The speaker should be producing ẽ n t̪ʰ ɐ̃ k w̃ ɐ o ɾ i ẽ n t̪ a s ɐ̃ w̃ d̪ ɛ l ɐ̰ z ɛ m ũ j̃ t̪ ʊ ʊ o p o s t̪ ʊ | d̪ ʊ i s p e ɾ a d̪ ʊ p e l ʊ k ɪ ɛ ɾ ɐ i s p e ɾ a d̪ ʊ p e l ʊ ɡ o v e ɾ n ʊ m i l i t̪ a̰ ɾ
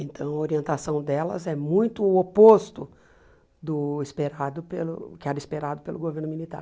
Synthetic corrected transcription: ẽ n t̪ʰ ɐ̃ w̃ ɐ o ɾ i ẽ n t̪ a s ɐ̃ w̃ d̪ ɛ l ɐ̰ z ɛ m ũ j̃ t̪ ʊ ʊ o p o s t̪ ʊ | d̪ ʊ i s p e ɾ a d̪ ʊ p e l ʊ k ɪ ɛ ɾ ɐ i s p e ɾ a d̪ ʊ p e l ʊ ɡ o v e ɾ n ʊ m i l i t̪ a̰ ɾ

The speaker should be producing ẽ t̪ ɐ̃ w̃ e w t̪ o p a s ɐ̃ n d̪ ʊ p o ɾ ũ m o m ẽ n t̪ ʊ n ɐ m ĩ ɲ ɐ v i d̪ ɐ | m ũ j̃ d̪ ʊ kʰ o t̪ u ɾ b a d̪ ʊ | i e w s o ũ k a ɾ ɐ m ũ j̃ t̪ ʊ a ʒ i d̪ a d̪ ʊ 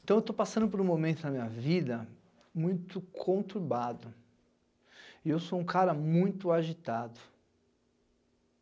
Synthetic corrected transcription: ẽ t̪ ɐ̃ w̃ e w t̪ o p a s ɐ̃ n d̪ ʊ p o ɾ ũ m o m ẽ n t̪ ʊ n ɐ m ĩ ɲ ɐ v i d̪ ɐ | m ũ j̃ t̪ ʊ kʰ õ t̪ u ɾ b a d̪ ʊ | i e w s o ũ k a ɾ ɐ m ũ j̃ t̪ ʊ a ʒ i t̪ a d̪ ʊ

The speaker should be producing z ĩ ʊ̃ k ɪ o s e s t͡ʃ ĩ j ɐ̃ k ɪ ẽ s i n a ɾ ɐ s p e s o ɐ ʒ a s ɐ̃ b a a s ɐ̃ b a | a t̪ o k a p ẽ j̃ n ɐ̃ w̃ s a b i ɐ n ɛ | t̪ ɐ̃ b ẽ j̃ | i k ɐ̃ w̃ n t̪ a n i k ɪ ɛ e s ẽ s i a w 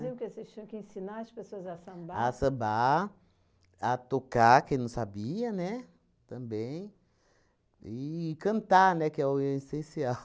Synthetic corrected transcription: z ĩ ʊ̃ k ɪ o s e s t͡ʃ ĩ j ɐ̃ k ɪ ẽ s i n a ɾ ɐ s p e s o ɐ z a s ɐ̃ b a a s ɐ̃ b a | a t̪ o k a k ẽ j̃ n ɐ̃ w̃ s a b i ɐ n ɛ | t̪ ɐ̃ b ẽ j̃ | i k ɐ̃ n t̪ a n ɛ k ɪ ɛ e s ẽ s i a w

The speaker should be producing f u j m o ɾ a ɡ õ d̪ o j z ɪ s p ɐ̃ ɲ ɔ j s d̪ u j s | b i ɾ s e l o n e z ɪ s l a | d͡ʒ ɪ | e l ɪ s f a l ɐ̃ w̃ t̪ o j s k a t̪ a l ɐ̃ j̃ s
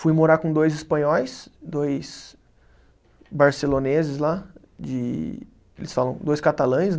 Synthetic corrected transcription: f u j m o ɾ a k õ d̪ o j z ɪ s p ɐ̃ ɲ ɔ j s d̪ o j s | b a ɾ s e l o n e z ɪ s l a | d͡ʒ ɪ | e l ɪ s f a l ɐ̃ w̃ d̪ o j s k a t̪ a l ɐ̃ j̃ s

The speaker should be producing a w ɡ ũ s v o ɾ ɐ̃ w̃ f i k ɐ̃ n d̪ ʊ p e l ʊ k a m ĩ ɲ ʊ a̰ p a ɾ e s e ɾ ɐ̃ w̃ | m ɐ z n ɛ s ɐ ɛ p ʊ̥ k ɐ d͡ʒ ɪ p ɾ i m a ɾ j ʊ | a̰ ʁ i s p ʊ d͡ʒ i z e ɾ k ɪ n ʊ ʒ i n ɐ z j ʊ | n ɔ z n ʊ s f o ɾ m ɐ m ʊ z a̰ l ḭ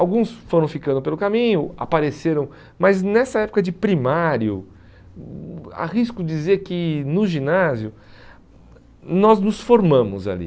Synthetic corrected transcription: a w ɡ ũ s f o ɾ ɐ̃ w̃ f i k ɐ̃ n d̪ ʊ p e l ʊ k a m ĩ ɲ ʊ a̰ p a ɾ e s e ɾ ɐ̃ w̃ | m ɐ z n ɛ s ɐ ɛ p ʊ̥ k ɐ d͡ʒ ɪ p ɾ i m a ɾ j ʊ | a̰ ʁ i s k ʊ d͡ʒ i z e ɾ k ɪ n ʊ ʒ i n a z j ʊ | n ɔ z n ʊ s f o ɾ m ɐ̃ m ʊ z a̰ l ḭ

